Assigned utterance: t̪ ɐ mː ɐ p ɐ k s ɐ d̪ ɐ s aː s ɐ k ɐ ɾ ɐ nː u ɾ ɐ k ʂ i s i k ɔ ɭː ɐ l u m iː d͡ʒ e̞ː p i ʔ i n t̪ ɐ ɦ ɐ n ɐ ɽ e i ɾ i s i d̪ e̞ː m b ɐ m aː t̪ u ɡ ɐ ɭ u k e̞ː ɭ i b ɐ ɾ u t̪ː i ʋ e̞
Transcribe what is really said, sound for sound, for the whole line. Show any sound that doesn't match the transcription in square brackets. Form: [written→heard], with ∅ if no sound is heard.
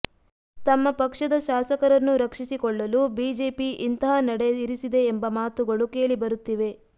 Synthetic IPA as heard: t̪ ɐ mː ɐ p ɐ k [s→ʂ] ɐ d̪ ɐ [s→ʃ] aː s ɐ k ɐ ɾ ɐ nː u ɾ ɐ k ʂ i s i k ɔ ɭː ɐ l u [m→b] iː d͡ʒ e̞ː p i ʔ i n t̪ ɐ ɦ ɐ n ɐ ɽ e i ɾ i s i d̪ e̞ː m b ɐ m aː t̪ u ɡ ɐ ɭ u k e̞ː ɭ i b ɐ ɾ u t̪ː i ʋ e̞